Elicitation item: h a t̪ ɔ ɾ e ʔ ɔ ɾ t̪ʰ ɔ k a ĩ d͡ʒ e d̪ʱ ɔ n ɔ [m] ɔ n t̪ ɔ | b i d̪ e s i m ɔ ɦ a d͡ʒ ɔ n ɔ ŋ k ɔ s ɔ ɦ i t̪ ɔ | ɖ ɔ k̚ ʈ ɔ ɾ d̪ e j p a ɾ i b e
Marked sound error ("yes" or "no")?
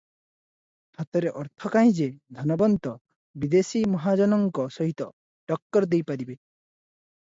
yes